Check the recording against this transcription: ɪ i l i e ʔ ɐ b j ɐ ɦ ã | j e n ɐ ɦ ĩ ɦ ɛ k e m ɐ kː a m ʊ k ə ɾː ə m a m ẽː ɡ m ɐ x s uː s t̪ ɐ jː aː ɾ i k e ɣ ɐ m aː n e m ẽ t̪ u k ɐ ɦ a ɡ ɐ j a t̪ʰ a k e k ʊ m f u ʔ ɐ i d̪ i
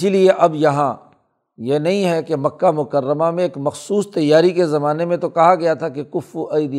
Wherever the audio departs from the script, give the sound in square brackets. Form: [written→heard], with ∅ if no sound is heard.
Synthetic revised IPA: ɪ i l i e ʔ ɐ b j ɐ ɦ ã | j e n ɐ ɦ ĩ ɦ ɛ k e m ɐ kː a m ʊ k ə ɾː ə m a m ẽː [ɡ→k] m ɐ x s uː s t̪ ɐ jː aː ɾ i k e [ɣ→z] ɐ m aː n e m ẽ t̪ [u→o] k ɐ ɦ a ɡ ɐ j a t̪ʰ a k e k ʊ [m→∅] f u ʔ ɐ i d̪ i